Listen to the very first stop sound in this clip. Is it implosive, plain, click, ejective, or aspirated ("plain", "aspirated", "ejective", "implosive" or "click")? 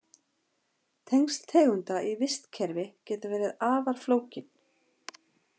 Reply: aspirated